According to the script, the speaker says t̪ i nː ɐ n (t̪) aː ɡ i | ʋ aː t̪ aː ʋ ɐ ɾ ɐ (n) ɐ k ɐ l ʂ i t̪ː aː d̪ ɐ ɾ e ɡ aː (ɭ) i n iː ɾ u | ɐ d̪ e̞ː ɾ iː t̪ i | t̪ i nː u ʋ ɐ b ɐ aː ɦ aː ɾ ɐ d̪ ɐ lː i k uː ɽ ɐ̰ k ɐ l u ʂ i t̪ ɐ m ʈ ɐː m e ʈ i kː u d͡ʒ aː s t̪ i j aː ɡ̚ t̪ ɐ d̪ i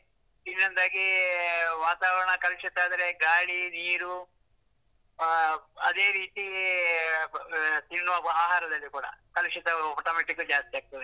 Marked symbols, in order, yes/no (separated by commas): no, no, yes